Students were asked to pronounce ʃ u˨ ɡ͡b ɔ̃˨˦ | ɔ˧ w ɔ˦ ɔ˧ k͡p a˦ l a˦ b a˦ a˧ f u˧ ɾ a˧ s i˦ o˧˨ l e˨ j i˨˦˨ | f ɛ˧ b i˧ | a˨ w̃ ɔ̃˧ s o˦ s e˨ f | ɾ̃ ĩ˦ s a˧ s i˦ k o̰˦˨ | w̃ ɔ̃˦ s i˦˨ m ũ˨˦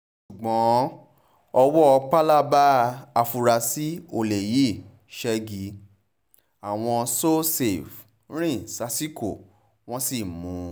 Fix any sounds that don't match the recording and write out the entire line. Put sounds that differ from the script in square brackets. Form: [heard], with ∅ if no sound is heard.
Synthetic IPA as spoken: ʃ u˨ ɡ͡b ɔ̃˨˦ | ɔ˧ w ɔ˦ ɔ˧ k͡p a˦ l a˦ b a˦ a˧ f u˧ ɾ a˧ s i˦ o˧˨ l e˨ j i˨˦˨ | [ʃ] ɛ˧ [ɡ] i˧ | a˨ w̃ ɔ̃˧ s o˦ s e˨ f | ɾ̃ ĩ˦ s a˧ s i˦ k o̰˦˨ | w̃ ɔ̃˦ s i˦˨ m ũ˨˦